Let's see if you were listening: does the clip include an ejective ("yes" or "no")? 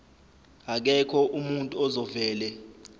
yes